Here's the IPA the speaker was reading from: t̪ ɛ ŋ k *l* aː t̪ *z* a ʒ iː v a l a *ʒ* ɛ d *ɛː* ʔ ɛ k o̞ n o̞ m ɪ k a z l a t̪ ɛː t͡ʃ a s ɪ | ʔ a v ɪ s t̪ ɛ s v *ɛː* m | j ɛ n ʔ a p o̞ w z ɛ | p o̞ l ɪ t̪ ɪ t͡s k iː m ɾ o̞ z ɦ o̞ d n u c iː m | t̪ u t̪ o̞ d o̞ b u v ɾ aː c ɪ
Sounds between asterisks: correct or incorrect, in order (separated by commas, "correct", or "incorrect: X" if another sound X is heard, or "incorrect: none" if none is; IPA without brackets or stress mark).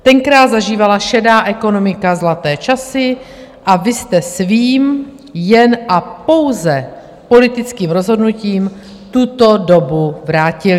incorrect: ɾ, correct, incorrect: ʃ, incorrect: aː, incorrect: iː